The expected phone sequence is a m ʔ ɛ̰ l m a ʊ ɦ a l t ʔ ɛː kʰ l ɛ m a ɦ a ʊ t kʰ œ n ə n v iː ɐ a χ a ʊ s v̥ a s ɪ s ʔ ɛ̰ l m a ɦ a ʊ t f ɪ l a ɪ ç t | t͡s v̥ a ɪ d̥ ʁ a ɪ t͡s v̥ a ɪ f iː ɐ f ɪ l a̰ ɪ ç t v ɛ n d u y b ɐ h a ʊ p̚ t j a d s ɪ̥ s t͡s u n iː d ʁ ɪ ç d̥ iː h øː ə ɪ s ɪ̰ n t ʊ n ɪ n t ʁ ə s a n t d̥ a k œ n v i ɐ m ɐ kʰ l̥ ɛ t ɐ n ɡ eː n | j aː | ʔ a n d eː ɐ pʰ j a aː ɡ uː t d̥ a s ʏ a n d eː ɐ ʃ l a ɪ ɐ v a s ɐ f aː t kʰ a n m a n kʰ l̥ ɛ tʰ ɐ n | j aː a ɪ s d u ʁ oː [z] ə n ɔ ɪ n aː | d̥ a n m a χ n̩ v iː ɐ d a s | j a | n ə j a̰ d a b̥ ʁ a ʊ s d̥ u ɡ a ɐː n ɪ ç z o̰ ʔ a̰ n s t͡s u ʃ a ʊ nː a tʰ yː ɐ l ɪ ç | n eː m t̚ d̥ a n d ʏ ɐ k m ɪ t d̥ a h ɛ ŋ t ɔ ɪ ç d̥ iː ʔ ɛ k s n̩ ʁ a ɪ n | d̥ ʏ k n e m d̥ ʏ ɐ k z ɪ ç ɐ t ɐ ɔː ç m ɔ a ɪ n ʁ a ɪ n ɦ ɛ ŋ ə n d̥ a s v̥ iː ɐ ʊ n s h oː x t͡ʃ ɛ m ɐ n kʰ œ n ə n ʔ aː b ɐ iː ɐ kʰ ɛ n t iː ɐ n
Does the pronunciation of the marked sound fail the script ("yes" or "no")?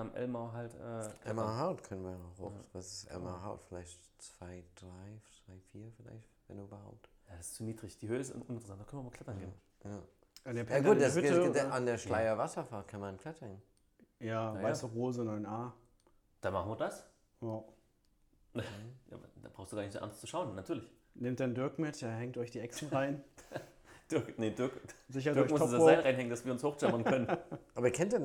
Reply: no